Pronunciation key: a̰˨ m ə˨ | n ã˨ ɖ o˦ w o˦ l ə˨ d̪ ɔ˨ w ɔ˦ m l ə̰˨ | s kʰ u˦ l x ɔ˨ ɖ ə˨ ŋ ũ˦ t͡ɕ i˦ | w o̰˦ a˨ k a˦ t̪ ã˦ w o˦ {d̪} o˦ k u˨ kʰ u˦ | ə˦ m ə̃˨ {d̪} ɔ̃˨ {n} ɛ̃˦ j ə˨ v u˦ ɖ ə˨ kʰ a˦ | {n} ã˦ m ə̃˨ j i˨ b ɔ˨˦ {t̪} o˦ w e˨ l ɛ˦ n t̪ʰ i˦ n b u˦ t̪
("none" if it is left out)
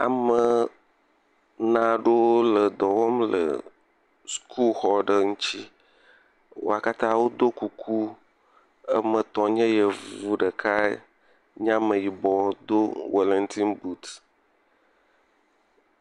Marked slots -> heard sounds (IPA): d̪, t̪, ɲ, ɲ, d̪

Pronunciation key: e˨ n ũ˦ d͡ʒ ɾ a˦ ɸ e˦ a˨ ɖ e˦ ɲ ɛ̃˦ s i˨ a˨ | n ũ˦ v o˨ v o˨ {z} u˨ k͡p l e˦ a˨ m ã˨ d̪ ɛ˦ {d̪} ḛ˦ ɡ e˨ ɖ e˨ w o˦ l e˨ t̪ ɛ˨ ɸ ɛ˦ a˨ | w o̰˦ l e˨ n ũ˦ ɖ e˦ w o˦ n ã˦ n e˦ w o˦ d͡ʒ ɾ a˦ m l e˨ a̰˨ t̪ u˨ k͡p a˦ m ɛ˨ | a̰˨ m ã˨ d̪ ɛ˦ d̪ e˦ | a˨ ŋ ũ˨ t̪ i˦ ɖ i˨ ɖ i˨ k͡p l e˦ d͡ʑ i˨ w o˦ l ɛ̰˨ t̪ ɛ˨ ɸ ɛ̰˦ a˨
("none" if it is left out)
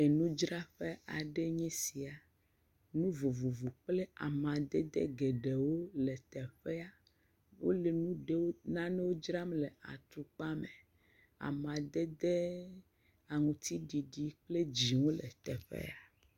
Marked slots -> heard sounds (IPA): v, d̪

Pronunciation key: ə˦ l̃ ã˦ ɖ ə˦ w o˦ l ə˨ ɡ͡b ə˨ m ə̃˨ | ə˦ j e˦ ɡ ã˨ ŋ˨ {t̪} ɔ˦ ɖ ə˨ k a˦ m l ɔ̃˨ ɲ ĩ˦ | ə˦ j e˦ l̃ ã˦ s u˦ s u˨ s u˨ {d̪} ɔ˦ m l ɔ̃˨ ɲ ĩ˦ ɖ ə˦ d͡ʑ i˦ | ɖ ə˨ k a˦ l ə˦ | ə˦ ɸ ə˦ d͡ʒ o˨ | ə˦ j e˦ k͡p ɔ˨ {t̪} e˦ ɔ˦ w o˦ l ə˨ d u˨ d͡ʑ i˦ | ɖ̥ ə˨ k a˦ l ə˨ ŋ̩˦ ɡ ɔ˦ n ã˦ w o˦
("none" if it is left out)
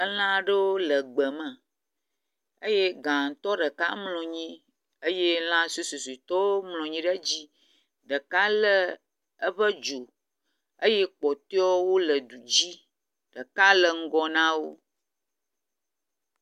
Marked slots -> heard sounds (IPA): t̪, t̪, t̪

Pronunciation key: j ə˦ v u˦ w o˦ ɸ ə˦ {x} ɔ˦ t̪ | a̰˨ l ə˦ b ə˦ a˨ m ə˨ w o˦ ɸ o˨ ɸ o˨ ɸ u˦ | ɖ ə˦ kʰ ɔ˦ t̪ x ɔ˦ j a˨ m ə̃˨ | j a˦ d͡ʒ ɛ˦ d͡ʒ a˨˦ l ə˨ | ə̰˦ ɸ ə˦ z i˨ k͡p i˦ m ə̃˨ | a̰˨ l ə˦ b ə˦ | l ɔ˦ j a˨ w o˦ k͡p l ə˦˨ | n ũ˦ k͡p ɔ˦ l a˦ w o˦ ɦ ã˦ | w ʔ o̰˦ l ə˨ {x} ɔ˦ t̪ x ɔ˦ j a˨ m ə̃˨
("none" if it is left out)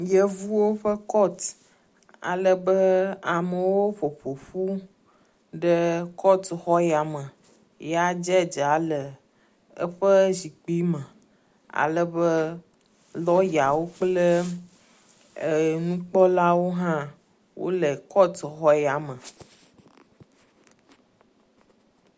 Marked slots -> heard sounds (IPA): k, k

